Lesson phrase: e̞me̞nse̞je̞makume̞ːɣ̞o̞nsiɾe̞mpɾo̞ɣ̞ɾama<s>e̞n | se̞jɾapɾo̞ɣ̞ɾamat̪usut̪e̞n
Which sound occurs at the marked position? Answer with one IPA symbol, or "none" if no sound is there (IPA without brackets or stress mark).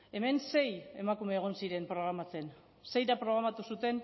t͡s